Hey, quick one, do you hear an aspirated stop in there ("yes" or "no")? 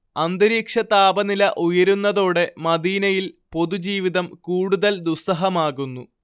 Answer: no